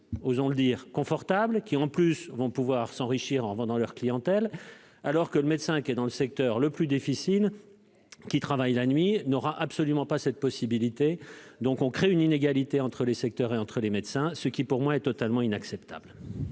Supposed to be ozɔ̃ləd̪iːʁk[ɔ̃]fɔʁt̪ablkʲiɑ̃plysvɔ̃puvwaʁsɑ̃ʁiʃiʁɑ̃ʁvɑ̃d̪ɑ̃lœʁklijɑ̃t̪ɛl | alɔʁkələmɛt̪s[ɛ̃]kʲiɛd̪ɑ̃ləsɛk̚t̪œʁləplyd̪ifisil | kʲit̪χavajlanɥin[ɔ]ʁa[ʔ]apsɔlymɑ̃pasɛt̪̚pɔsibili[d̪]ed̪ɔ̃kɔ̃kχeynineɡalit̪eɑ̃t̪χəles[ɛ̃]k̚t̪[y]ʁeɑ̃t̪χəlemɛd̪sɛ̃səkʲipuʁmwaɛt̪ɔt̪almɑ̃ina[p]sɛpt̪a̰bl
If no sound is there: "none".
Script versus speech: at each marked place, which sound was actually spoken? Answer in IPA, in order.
ɔ̃, ɛ̃, ɔ, ʔ, t̪, ɛ, œ, k

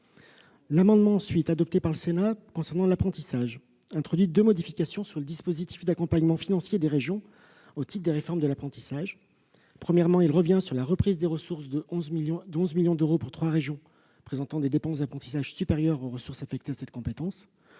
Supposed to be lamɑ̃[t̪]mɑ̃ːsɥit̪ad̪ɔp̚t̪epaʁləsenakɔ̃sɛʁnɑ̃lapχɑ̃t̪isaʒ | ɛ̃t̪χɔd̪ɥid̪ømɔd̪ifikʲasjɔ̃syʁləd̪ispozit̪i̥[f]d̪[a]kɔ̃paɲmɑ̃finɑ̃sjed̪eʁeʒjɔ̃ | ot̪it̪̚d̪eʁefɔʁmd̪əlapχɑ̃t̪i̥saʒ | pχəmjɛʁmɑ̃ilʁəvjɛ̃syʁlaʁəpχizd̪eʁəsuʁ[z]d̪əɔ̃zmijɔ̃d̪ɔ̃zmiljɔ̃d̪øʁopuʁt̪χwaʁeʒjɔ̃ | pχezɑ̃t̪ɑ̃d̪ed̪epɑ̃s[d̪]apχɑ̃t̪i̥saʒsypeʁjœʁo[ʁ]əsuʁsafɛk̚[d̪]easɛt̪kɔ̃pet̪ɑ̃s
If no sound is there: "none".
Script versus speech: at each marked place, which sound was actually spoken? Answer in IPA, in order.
d̪, f, a, s, d̪, ʁ, t̪

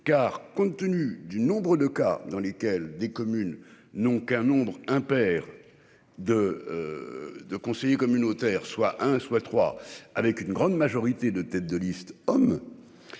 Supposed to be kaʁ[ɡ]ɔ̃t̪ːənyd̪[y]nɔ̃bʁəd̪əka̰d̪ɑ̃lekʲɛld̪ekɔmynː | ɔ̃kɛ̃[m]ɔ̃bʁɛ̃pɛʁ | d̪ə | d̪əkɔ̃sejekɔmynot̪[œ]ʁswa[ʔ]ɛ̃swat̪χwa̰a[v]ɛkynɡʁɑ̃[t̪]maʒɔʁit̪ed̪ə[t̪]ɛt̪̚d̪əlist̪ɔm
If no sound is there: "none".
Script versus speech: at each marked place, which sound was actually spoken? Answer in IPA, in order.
k, y, n, ɛ, ʔ, v, d̪, t̪

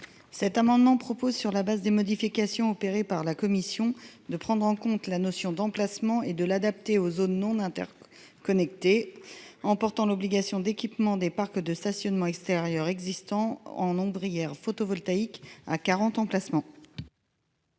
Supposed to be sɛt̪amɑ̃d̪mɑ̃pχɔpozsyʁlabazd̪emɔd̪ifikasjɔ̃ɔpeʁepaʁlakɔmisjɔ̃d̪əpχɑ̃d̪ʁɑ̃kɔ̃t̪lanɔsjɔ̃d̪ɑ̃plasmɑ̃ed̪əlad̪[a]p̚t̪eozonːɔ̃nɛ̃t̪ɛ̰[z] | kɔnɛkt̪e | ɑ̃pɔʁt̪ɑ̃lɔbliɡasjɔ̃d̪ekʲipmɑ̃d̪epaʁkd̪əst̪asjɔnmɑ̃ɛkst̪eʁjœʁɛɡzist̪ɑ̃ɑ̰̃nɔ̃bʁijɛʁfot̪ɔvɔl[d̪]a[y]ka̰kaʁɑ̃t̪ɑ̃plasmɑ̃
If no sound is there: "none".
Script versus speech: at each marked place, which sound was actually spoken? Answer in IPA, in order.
a, ʁ, t̪, i

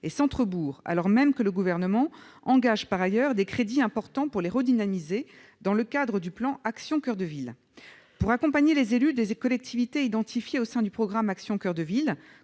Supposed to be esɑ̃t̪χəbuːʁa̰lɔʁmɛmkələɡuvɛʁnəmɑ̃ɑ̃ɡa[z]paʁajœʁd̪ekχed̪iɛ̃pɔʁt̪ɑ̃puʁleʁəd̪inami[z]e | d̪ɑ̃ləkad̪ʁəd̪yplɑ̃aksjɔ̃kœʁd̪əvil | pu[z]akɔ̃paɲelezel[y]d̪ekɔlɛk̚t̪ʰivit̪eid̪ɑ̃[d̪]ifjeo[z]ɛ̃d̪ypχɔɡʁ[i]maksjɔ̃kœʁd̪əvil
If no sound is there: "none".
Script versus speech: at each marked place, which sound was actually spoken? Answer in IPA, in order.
ʒ, z, ʁ, y, t̪, s, a

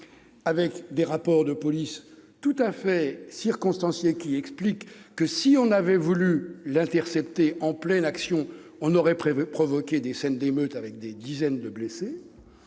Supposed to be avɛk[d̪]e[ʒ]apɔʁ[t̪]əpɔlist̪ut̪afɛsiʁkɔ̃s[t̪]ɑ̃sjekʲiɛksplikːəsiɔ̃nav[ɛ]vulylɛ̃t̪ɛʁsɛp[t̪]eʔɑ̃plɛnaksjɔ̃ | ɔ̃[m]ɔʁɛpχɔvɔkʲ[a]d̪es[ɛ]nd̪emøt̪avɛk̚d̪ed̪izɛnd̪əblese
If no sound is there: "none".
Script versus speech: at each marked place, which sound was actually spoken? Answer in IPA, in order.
d̪, ʁ, d̪, t̪, ɛ, t̪, n, e, ɛ

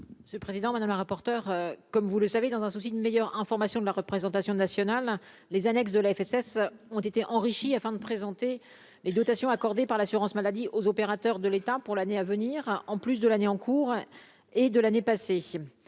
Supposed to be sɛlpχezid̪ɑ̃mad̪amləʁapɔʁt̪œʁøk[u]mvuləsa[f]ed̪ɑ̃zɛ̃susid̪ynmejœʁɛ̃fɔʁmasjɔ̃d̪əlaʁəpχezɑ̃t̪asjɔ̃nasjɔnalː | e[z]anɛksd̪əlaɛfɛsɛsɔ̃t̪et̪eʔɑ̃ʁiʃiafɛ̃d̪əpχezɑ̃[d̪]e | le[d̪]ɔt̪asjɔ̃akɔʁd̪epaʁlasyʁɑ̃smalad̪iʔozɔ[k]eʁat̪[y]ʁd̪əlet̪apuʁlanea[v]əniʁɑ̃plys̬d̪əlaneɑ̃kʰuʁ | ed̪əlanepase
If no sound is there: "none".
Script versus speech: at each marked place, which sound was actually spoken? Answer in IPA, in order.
ɔ, v, z, t̪, d̪, p, œ, v

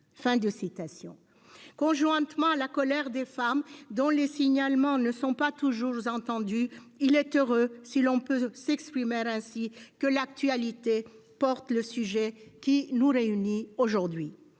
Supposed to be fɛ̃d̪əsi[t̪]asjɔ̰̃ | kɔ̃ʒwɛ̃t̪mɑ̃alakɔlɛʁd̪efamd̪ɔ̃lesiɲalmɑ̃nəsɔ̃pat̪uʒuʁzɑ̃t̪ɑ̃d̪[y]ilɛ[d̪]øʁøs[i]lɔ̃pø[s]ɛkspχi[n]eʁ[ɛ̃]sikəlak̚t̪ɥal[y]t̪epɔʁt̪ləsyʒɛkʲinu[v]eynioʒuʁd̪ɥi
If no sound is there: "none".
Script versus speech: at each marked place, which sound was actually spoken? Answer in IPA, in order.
t̪, y, t̪, i, s, m, ɛ̃, i, ʁ

